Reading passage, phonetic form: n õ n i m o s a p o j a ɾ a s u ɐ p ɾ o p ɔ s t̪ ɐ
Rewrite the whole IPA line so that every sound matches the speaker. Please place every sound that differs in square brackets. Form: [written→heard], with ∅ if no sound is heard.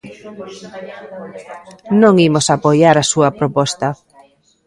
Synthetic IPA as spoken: n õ [n→ŋ] i m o s a p o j a ɾ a s u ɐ p ɾ o p ɔ s t̪ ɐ